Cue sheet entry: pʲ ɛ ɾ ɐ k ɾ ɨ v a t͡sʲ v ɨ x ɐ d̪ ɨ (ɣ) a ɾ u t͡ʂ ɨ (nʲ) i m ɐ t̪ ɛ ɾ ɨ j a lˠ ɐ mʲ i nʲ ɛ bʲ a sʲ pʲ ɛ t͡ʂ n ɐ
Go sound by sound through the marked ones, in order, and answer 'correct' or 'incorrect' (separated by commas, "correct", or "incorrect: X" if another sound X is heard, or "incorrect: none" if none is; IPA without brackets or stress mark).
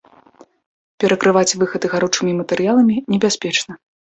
correct, incorrect: mʲ